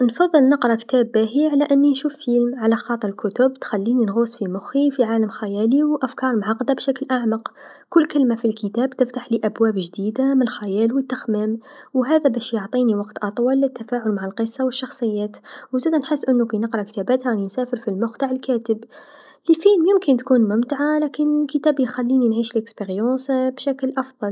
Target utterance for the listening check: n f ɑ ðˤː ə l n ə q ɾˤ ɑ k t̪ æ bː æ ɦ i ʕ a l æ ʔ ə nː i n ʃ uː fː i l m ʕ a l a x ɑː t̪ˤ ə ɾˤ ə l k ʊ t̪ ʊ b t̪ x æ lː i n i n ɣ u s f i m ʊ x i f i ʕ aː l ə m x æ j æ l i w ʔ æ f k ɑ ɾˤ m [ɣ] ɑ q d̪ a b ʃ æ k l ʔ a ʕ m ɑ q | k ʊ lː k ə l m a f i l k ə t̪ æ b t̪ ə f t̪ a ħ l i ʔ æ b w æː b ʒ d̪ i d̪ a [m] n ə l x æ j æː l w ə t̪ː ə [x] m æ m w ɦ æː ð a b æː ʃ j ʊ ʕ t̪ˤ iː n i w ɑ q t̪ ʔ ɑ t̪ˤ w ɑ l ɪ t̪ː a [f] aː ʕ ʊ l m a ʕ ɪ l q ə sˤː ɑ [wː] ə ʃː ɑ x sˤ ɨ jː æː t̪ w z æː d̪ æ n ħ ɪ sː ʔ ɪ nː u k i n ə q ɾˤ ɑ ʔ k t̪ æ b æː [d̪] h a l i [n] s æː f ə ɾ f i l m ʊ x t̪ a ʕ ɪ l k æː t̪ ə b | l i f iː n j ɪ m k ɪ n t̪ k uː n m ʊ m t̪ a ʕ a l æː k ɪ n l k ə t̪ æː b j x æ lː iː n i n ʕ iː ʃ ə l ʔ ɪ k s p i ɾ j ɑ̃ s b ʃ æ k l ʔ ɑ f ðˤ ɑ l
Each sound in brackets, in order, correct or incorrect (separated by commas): incorrect, correct, correct, correct, incorrect, incorrect, correct